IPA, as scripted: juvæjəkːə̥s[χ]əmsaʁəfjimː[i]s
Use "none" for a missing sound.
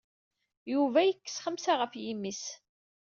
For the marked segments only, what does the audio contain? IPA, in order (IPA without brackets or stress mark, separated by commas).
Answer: χ, i